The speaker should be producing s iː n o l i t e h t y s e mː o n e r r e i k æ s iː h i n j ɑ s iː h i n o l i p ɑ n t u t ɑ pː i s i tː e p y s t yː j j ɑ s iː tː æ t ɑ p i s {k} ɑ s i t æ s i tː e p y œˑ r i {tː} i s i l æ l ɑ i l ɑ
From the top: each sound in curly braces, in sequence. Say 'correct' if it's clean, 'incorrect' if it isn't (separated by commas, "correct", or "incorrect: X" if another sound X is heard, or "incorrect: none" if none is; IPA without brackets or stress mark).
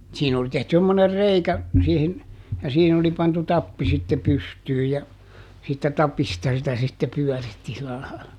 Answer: incorrect: t, correct